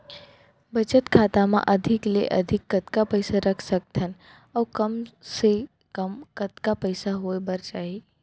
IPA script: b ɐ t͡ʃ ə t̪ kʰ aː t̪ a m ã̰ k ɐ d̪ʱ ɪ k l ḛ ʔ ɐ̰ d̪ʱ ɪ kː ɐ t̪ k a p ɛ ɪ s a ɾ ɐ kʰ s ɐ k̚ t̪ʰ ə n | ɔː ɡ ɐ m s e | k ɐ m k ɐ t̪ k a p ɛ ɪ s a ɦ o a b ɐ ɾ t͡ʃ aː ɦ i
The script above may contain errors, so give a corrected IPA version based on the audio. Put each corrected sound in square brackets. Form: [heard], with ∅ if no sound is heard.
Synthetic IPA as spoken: b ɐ t͡ʃ ə t̪ kʰ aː t̪ a m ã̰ [ʔ] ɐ d̪ʱ ɪ k l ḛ ʔ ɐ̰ d̪ʱ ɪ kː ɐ t̪ k a p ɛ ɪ s a ɾ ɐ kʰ s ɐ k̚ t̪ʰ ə n | ɔː [k] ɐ m s e | k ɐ m k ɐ t̪ k a p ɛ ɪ s a ɦ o [e] b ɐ ɾ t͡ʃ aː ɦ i